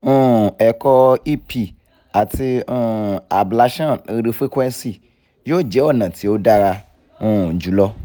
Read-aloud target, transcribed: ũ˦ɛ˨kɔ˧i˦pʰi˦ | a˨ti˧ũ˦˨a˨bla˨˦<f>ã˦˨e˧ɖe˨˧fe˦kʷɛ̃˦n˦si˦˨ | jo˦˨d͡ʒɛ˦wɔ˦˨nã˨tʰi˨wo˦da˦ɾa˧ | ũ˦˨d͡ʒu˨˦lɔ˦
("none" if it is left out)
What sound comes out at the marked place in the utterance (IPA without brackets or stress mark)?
ʃ